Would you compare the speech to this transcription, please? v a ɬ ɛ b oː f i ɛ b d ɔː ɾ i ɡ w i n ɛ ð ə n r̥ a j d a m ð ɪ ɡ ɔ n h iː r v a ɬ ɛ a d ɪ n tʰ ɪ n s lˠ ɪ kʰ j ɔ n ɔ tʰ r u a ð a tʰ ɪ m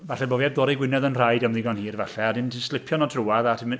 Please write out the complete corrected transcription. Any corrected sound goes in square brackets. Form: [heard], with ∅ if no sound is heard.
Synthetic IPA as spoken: v a ɬ ɛ b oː [v] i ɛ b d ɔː ɾ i ɡ w [ɪ] n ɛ ð ə n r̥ a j d a m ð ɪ ɡ ɔ n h iː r v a ɬ ɛ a d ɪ n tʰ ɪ n s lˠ ɪ [pʰ] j ɔ n ɔ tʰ r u a ð a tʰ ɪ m

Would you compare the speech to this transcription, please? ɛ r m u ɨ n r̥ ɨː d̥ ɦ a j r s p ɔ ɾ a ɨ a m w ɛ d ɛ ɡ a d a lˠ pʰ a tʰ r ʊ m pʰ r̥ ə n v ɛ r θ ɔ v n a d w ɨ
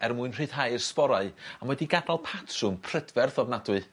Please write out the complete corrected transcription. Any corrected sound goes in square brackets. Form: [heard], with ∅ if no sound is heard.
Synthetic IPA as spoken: ɛ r m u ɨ n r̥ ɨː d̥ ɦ a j r s p ɔ ɾ a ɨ a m w ɛ d [i] ɡ a d a lˠ pʰ a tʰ r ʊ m pʰ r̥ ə [d] v ɛ r θ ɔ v n a d w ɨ

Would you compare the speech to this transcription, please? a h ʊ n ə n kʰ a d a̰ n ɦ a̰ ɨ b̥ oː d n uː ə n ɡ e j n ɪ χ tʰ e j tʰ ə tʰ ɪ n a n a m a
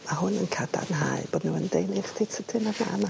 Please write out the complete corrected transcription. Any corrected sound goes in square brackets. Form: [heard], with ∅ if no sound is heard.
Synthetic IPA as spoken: a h ʊ n ə n kʰ a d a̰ n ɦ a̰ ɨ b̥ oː d n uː ə n [d] e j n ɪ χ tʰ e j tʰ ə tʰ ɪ n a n a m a

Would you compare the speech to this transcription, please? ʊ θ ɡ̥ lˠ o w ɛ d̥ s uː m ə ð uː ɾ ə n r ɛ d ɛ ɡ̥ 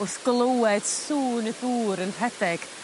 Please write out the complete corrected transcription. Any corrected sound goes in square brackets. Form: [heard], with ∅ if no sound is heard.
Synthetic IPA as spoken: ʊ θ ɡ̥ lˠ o w ɛ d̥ s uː [n] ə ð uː ɾ ə n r ɛ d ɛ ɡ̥

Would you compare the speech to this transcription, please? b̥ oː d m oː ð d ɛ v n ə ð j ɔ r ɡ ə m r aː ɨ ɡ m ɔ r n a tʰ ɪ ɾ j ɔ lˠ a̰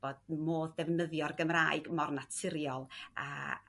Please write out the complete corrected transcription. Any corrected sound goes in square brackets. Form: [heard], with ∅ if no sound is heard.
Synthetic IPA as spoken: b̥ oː d m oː ð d ɛ v n ə ð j ɔ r ɡ ə m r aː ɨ ɡ m ɔ r n a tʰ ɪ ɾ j ɔ lˠ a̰

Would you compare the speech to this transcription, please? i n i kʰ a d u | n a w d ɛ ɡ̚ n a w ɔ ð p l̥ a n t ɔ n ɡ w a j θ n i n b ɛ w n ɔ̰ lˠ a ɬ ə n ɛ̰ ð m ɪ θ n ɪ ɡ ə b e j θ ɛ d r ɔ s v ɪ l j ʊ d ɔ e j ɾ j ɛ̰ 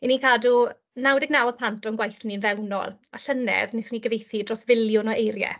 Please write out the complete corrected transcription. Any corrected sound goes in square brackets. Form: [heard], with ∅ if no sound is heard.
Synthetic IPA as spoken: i n i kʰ a d u | n a w d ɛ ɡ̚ n a w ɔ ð p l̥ a n t ɔ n ɡ w a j θ n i n [v] ɛ w n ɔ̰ lˠ a ɬ ə n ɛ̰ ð [n] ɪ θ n [i] ɡ ə [v] e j θ [i] d r ɔ s v ɪ l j ʊ [n] ɔ e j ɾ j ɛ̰

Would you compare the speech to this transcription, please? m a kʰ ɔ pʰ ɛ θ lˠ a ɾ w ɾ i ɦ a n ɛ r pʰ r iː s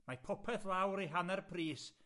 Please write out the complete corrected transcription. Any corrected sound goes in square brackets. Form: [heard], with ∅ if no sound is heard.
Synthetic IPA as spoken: m a [pʰ] ɔ pʰ ɛ θ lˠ a [∅] w ɾ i ɦ a n ɛ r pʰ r iː s

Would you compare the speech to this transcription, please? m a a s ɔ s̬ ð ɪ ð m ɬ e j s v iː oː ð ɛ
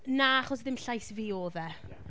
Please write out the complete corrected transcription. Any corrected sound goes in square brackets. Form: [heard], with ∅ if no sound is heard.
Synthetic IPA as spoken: [n] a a [χ] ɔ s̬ ð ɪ [∅] m ɬ [a] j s v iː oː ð ɛ

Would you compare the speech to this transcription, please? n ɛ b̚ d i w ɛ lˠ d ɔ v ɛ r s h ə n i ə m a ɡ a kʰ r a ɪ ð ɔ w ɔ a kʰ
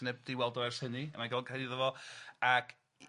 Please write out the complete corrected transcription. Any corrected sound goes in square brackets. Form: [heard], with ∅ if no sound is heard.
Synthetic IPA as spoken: n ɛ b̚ d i w ɛ lˠ d ɔ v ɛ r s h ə n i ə m a ɡ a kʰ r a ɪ ð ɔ [v] ɔ a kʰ

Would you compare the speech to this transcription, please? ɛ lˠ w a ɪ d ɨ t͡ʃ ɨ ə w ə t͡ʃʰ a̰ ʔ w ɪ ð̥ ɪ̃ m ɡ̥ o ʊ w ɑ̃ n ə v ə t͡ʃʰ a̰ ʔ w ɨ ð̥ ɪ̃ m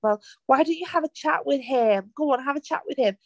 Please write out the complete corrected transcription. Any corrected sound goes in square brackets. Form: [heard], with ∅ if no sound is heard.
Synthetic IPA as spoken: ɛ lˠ w a ɪ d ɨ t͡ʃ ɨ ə [v] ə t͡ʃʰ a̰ ʔ w ɪ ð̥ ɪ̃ m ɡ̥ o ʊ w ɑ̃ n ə v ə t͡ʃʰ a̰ ʔ w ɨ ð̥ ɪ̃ m

